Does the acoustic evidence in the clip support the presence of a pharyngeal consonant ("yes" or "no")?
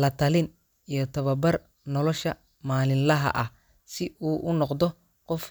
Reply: no